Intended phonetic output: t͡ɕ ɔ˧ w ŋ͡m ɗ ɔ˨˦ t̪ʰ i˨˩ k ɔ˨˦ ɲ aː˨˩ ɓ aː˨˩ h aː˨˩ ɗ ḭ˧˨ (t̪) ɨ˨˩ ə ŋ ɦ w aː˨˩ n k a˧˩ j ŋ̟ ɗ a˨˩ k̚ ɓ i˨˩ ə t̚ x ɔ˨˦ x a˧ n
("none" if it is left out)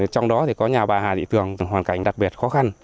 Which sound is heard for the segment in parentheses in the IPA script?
t̪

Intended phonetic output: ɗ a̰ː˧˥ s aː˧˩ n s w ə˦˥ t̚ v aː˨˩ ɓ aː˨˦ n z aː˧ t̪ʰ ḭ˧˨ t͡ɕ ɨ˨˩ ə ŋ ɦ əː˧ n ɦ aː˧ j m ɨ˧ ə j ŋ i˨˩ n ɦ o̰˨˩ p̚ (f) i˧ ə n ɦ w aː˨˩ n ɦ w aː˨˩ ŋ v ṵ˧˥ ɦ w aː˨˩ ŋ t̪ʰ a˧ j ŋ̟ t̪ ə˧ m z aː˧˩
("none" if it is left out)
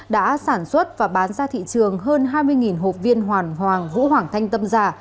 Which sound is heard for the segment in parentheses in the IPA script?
v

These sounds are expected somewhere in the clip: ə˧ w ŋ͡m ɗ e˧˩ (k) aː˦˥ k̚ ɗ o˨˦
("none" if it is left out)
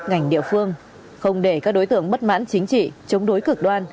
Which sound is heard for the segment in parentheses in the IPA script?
k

